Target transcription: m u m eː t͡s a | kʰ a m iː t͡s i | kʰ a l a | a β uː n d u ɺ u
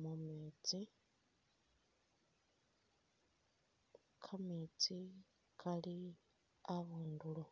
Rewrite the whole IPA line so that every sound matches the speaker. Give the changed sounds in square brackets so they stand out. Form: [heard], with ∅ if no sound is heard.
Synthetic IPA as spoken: m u m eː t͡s [i] | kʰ a m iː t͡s i | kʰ a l [i] | a β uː n d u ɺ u